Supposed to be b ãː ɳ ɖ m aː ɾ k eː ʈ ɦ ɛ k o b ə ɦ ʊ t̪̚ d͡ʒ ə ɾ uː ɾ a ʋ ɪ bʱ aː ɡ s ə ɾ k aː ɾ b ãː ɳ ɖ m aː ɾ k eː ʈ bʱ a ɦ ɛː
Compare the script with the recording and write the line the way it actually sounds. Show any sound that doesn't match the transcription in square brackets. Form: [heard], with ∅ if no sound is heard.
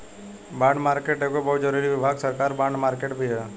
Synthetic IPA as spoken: b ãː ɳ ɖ m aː ɾ k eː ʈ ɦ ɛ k o b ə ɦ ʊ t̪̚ d͡ʒ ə ɾ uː ɾ [i] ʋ ɪ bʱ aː ɡ s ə ɾ k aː ɾ b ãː ɳ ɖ m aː ɾ k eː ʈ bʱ [i] ɦ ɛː